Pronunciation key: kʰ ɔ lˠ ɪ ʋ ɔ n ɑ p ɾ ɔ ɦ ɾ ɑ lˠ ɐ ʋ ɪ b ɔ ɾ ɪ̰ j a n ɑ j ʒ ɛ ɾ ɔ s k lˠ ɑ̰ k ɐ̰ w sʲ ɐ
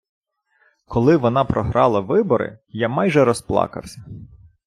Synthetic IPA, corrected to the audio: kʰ ɔ lˠ ɪ ʋ ɔ n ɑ p ɾ ɔ ɦ ɾ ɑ lˠ ɐ ʋ ɪ b ɔ ɾ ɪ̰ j a m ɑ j ʒ ɛ ɾ ɔ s p lˠ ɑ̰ k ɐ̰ w sʲ ɐ